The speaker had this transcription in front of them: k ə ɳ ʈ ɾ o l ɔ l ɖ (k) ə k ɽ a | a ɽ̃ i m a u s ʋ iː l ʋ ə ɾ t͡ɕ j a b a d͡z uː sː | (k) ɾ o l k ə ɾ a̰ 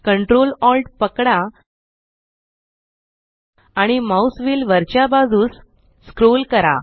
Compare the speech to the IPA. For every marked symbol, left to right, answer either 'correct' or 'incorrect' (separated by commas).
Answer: incorrect, correct